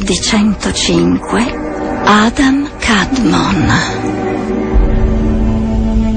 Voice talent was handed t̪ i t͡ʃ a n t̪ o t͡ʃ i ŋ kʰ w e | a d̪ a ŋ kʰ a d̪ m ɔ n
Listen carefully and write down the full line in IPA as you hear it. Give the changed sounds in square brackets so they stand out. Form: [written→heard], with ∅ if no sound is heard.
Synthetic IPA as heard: [t̪→d̪] i t͡ʃ [a→ɛ] n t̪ o t͡ʃ i ŋ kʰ w e | a d̪ a [ŋ→m] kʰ a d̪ m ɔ n